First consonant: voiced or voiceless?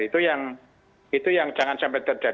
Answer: voiceless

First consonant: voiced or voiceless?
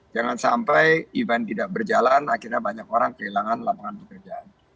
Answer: voiced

